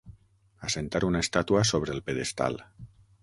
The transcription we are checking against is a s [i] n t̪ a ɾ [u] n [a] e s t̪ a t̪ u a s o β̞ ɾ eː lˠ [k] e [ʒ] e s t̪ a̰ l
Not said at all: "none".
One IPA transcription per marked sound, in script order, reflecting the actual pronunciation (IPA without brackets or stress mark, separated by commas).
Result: e, u, a, p, ð